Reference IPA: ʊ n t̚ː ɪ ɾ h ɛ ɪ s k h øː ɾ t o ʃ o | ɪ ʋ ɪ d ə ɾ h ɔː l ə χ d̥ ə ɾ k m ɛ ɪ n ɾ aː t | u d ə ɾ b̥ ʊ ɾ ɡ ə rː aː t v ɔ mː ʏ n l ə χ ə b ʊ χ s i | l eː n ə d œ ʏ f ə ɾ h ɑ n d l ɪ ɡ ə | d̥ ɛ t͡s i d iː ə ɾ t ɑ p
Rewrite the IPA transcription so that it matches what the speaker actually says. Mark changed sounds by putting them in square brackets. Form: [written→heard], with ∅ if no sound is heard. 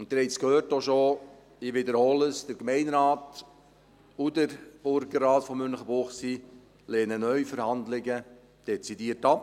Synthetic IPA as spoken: ʊ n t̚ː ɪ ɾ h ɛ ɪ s k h øː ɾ t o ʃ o | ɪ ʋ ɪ d ə ɾ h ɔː l ə [χ→s] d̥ ə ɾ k m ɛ ɪ n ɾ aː t | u d ə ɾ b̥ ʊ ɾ ɡ ə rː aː t [v→f] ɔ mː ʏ n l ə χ ə b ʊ χ s i | l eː n ə [d→n] œ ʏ f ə ɾ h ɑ n d l ɪ ɡ ə | d̥ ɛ t͡s i d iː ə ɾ t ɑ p

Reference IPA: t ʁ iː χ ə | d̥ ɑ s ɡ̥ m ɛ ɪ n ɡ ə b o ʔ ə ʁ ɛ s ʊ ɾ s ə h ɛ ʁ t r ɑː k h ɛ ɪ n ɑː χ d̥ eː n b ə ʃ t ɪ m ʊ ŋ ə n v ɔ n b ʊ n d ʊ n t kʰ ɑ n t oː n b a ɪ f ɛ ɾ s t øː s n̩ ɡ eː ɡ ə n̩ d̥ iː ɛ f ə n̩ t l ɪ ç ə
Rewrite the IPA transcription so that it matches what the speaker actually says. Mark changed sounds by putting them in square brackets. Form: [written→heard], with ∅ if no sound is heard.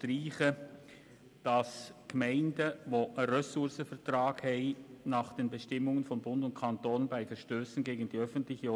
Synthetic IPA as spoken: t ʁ iː χ ə | d̥ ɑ s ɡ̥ m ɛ ɪ n [ɡ→d] ə [b→v] o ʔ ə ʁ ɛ s ʊ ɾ s ə [h→f] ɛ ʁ t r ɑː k h ɛ ɪ n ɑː χ d̥ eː n b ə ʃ t ɪ m ʊ ŋ ə n [v→f] ɔ n b ʊ n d ʊ n t kʰ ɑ n t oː n b a ɪ f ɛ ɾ [s→ʃ] t øː s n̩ ɡ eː ɡ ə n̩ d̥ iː [ɛ→œ] f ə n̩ t l ɪ ç ə

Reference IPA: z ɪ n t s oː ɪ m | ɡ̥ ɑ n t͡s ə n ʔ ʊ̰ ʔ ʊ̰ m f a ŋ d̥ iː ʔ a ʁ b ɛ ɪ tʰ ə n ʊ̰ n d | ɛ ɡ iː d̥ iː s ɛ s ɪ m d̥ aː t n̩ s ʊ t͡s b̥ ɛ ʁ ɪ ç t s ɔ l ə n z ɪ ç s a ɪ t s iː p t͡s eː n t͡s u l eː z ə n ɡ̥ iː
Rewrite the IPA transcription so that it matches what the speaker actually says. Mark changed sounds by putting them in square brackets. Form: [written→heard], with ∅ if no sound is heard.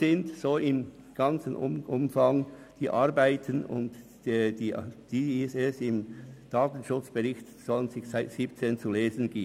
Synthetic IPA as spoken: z ɪ n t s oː ɪ m | ɡ̥ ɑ n t͡s ə n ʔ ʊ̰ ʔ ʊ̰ m f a ŋ d̥ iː ʔ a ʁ b [ɛ→a] ɪ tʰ ə n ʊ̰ n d | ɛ [ɡ→d] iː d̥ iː s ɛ s ɪ m d̥ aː t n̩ [s→ʃ] ʊ t͡s b̥ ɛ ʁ ɪ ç t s ɔ l ə n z ɪ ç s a ɪ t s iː p t͡s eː n t͡s u l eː z ə n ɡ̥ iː

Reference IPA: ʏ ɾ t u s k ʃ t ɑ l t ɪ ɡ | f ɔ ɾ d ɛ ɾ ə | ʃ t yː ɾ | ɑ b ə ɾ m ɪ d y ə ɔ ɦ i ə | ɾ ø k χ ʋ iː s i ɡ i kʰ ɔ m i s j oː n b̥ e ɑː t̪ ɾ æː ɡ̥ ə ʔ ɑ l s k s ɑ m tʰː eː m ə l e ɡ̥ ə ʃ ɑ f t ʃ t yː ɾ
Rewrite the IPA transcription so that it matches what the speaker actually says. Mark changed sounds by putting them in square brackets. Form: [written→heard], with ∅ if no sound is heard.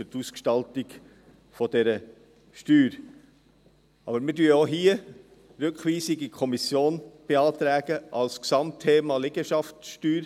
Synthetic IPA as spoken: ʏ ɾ t u s k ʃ t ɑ l t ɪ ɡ | f ɔ [ɾ→∅] d ɛ ɾ ə | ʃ t yː ɾ | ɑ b ə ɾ m ɪ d y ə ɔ ɦ i ə | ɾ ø k χ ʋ iː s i ɡ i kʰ ɔ m i s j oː n b̥ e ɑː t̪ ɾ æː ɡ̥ ə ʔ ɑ l s k s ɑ m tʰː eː m [ə→ɑ] l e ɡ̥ ə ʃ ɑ f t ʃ t yː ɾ

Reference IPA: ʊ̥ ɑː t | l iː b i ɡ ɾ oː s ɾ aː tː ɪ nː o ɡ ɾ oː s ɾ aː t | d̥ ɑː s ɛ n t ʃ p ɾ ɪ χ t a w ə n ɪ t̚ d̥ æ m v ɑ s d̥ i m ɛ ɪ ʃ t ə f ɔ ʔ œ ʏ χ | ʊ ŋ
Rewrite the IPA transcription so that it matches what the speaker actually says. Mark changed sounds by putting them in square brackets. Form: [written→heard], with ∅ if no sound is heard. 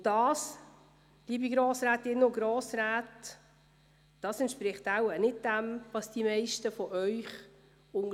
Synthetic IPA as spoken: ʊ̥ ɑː [t→s] | l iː b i ɡ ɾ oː s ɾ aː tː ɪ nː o ɡ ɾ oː s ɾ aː t | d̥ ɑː s ɛ n t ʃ p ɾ ɪ χ t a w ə n ɪ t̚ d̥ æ m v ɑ s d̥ i m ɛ ɪ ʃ t ə f ɔ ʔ œ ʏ χ | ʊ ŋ

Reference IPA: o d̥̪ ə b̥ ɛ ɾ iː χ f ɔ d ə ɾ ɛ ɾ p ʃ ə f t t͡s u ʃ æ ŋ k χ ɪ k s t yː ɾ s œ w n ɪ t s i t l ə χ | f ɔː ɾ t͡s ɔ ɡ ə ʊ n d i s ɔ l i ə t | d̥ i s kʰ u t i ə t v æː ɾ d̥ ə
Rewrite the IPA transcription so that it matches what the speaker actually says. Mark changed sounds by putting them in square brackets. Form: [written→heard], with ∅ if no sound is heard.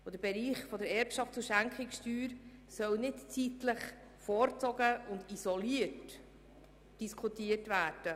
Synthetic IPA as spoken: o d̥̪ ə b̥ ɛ ɾ iː χ f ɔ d ə ɾ ɛ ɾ p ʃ [ə→ɑ] f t t͡s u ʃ æ ŋ k χ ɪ k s t yː ɾ s œ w n ɪ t [s→t͡s] i t l ə χ | f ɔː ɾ t͡s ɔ ɡ ə ʊ n d i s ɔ l i ə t | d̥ i s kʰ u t i ə t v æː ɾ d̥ ə

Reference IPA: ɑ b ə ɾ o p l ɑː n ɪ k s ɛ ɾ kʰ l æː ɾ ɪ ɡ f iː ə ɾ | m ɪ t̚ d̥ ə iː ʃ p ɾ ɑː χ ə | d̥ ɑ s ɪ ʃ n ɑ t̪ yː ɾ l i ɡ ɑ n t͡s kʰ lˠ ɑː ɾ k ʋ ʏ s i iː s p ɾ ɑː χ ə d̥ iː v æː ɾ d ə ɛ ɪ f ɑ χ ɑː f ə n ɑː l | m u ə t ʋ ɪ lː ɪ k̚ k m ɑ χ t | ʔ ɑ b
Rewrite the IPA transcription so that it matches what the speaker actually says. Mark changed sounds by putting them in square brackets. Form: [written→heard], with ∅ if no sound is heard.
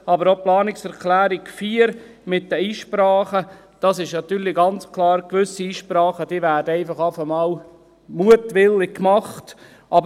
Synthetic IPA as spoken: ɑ b ə ɾ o p l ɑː n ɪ k s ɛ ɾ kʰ l æː ɾ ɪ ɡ f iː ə ɾ | m ɪ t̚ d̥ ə iː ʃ p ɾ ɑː χ ə | d̥ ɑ s ɪ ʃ n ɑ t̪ yː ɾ l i ɡ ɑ n t͡s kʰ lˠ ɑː ɾ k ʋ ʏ s i iː [s→ʃ] p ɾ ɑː χ ə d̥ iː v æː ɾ d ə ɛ ɪ f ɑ χ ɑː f ə [n→m] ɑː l | m u ə t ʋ ɪ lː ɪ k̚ k m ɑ χ t | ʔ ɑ b

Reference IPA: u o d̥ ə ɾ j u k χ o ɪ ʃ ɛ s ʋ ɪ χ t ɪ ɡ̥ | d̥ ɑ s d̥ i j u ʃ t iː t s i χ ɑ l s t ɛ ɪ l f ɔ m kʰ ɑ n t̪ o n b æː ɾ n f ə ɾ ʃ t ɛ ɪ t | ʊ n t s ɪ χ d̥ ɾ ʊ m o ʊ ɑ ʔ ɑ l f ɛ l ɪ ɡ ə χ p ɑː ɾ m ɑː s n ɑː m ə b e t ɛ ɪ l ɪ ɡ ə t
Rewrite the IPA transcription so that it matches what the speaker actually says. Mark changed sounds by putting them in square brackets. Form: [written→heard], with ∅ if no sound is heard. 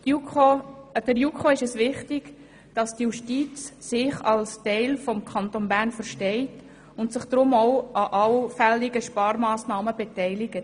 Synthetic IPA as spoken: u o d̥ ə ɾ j u k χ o ɪ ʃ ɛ s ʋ ɪ χ t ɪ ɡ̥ | d̥ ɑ s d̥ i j u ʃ t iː [t→t͡s] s [i→ɪ] χ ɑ l s t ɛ ɪ l f ɔ m kʰ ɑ n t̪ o n b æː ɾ n f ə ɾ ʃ t ɛ ɪ t | ʊ n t s ɪ χ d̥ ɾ ʊ m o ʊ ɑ ʔ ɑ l f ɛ l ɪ ɡ ə [χ→ʃ] p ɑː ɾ m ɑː s n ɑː m ə b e t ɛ ɪ l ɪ ɡ ə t

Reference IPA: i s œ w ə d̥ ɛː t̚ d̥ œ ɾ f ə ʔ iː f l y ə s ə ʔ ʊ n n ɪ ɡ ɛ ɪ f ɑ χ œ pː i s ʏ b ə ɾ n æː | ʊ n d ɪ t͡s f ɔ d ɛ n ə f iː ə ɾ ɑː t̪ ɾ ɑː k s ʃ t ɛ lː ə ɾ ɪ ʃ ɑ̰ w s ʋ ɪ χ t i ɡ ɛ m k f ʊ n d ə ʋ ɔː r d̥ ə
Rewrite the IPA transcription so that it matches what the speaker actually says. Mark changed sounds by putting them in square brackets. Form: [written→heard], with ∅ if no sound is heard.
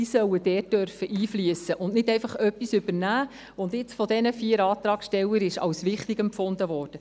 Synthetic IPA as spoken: i s œ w ə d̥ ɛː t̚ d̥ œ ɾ f ə ʔ iː f l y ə s ə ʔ ʊ n n ɪ [ɡ→d] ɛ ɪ f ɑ χ œ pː i s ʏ b ə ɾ n æː | ʊ n d ɪ t͡s f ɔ d ɛ n ə f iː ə ɾ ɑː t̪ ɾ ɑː k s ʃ t ɛ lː ə ɾ ɪ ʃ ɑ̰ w s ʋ ɪ χ t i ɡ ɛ m [k→p] f ʊ n d ə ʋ ɔː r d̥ ə

